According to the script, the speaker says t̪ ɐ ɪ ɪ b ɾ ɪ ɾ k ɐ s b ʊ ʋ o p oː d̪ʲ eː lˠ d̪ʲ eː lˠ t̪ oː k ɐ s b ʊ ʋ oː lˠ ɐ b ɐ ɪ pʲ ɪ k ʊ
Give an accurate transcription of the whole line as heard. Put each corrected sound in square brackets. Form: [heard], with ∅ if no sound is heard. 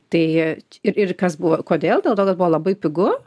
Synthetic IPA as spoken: t̪ ɐ ɪ ɪ [∅] ɾ ɪ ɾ k ɐ s b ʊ ʋ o [k] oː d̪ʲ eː lˠ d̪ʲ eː lˠ t̪ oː k ɐ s b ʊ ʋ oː lˠ ɐ b ɐ ɪ pʲ ɪ [ɡ] ʊ